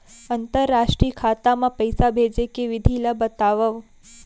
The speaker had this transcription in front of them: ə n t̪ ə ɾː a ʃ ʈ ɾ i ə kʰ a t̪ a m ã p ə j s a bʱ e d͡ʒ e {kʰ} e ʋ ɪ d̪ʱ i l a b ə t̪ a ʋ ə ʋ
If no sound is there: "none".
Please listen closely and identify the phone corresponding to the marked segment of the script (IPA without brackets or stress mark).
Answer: k